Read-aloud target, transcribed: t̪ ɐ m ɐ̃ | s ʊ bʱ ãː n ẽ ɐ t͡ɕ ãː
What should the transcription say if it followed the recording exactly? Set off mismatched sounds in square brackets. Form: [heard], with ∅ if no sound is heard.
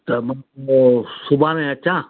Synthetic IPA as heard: t̪ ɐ m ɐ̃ | s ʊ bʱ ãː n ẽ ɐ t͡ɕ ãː